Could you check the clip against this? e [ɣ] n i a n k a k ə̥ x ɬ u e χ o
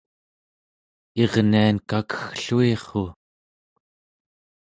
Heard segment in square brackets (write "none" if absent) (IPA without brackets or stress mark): ʁ